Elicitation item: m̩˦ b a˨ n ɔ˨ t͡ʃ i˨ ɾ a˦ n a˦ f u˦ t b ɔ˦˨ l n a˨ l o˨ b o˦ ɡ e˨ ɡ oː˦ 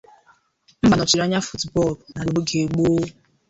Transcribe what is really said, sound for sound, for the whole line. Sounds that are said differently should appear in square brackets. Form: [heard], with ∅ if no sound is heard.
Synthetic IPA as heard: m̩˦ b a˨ n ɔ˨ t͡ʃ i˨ ɾ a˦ [ɲ] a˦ f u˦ t b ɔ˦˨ l n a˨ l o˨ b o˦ ɡ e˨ [ɡ͡b] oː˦